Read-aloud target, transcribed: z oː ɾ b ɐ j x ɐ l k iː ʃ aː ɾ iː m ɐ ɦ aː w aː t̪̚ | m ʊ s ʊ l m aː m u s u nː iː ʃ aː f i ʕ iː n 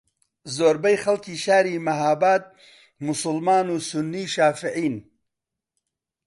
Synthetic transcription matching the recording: z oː ɾ b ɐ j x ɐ l k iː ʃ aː ɾ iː m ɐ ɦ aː b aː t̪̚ | m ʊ s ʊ l m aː n u s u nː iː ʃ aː f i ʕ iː n

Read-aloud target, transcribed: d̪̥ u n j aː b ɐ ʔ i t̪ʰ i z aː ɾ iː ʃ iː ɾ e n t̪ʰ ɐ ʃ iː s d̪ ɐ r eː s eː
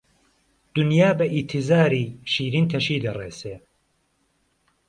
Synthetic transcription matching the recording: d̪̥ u n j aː b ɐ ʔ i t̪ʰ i z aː ɾ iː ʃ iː ɾ i n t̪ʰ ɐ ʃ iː d̪ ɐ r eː s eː

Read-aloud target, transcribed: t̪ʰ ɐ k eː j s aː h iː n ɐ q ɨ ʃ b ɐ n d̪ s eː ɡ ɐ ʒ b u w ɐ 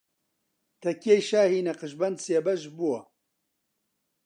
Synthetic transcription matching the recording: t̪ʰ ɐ k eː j ʃ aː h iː n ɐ q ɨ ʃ b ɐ n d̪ s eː b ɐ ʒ b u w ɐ

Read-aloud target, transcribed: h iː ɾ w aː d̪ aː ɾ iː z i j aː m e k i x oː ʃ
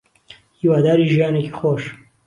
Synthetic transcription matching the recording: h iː w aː d̪ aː ɾ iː ʒ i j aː n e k i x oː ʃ

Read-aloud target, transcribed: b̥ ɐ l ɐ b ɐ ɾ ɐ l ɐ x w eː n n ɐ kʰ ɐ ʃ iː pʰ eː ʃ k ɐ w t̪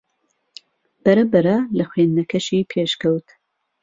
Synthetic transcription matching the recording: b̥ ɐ ɾ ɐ b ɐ ɾ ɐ l ɐ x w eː n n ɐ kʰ ɐ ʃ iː pʰ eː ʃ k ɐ w t̪

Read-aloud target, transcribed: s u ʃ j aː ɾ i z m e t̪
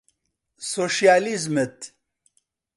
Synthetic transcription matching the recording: s o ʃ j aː l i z m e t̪

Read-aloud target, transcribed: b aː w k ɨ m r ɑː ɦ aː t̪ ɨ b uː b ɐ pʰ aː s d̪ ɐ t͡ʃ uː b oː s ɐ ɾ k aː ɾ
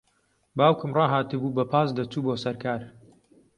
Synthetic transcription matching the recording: b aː w k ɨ m r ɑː ɦ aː t̪ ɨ b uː b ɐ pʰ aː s d̪ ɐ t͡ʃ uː b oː s ɐ ɾ k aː ɾ

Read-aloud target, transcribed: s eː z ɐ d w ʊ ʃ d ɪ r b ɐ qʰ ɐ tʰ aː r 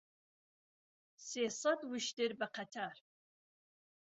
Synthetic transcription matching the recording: s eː s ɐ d w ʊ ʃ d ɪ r b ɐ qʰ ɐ tʰ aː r

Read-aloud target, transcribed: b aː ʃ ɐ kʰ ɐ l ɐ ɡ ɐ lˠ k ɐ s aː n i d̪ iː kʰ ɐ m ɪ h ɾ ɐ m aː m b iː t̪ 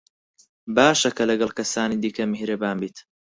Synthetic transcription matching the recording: b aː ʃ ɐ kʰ ɐ l ɐ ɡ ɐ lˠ k ɐ s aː n i d̪ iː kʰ ɐ m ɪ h ɾ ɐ b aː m b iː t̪

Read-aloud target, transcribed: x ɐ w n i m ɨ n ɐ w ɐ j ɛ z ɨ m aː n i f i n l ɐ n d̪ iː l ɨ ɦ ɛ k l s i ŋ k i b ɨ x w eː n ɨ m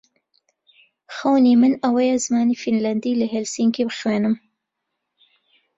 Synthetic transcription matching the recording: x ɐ w n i m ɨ n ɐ w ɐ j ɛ z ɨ m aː n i f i n l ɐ n d̪ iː l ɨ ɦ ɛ l s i ŋ k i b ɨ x w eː n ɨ m

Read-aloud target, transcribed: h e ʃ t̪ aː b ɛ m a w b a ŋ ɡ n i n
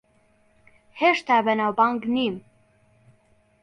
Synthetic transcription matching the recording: h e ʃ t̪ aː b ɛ n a w b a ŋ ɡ n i m

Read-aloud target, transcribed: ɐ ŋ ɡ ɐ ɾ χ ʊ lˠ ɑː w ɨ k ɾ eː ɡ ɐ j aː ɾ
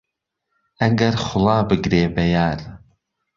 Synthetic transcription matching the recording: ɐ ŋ ɡ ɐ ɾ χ ʊ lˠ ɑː b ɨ ɡ ɾ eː b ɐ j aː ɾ

